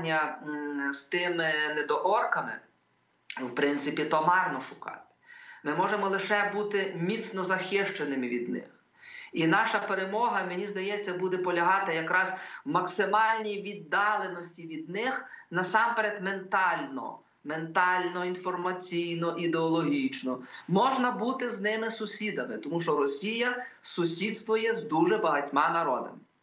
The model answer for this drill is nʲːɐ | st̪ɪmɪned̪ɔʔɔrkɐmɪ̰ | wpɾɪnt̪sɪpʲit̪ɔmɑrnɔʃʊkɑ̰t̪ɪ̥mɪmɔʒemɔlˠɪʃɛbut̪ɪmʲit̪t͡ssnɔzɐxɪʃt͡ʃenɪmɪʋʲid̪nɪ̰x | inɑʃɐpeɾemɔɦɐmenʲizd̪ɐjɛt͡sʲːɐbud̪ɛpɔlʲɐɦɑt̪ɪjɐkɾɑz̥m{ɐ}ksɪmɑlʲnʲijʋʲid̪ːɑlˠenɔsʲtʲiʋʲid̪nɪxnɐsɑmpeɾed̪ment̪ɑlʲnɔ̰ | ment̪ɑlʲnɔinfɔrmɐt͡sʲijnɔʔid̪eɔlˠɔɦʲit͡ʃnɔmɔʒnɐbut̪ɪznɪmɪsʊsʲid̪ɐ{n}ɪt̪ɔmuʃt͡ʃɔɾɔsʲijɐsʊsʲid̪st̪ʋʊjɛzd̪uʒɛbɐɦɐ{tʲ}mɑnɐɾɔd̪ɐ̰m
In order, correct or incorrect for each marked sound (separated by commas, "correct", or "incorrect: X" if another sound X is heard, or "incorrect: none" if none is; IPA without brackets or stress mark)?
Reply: correct, incorrect: m, correct